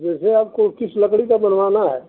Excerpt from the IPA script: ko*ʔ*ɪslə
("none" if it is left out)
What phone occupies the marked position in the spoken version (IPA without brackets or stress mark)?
k